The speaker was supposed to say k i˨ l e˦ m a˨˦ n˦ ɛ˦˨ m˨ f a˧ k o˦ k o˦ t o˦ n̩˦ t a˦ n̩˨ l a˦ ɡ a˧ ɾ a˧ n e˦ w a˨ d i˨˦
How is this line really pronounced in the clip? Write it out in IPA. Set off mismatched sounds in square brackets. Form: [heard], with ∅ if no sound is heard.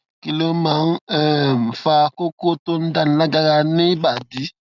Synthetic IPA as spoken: k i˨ l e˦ m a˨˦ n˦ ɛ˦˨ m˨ f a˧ k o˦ k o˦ t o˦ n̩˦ [d] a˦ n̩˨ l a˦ ɡ a˧ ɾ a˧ n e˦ [b] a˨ d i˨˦